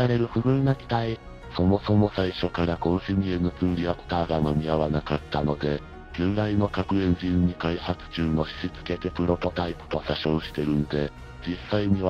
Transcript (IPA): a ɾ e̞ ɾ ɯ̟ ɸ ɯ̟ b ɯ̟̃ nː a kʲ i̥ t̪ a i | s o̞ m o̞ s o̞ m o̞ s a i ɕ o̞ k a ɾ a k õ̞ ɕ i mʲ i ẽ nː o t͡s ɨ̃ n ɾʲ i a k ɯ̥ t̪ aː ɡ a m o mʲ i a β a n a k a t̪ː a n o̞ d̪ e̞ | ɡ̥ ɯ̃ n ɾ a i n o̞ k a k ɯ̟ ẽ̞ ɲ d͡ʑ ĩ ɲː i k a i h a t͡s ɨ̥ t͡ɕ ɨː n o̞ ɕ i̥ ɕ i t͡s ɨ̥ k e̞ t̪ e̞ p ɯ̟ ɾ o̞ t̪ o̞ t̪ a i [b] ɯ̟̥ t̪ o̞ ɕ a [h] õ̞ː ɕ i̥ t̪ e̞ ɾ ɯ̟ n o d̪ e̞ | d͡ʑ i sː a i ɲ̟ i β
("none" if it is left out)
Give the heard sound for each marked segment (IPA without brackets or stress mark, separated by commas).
p, ɕ